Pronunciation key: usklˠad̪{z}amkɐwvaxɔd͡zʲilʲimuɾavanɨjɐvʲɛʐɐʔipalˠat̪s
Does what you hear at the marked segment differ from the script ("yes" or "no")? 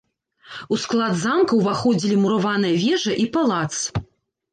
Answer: no